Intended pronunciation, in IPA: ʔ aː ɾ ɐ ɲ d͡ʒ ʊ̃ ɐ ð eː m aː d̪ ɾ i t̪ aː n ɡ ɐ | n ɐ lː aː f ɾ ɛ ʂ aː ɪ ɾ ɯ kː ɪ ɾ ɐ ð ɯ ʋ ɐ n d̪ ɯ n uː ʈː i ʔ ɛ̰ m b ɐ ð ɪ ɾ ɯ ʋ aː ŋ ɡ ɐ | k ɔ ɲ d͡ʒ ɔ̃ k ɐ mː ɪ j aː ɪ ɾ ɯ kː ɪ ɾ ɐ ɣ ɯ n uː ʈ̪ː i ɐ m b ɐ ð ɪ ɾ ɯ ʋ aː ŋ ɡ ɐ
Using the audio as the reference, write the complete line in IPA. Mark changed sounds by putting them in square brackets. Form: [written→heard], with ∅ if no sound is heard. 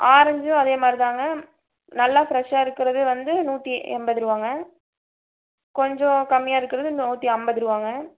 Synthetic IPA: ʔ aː ɾ ɐ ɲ d͡ʒ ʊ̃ ɐ ð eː m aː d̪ ɾ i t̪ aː [n→ŋ] ɡ ɐ | n ɐ lː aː f ɾ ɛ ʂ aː ɪ ɾ ɯ kː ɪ ɾ ɐ ð ɯ ʋ ɐ n d̪ ɯ n uː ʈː i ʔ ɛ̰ m b ɐ ð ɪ ɾ ɯ ʋ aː ŋ ɡ ɐ | k ɔ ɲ d͡ʒ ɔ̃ k ɐ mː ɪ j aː ɪ ɾ ɯ kː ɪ ɾ ɐ [ɣ→ð] ɯ n uː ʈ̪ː i ɐ m b ɐ ð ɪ ɾ ɯ ʋ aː ŋ ɡ ɐ